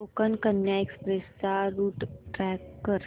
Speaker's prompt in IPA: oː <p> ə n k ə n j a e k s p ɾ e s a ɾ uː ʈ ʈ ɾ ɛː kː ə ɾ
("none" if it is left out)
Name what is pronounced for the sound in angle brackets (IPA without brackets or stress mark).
k